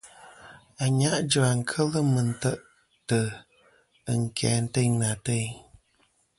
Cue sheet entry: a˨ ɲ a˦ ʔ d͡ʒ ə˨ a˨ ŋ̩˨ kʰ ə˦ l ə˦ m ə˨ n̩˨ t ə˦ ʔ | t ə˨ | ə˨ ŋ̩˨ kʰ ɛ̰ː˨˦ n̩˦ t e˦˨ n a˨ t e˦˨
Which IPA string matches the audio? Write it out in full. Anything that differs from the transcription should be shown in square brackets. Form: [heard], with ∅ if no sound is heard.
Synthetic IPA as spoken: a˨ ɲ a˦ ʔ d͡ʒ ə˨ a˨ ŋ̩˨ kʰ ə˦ l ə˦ m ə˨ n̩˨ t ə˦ ʔ | t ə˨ | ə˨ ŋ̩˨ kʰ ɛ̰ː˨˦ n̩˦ t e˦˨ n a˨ t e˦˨